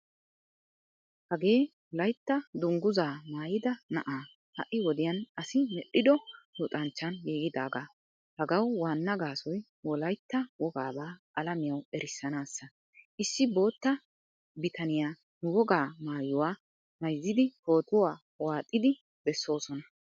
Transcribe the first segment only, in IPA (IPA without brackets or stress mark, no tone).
h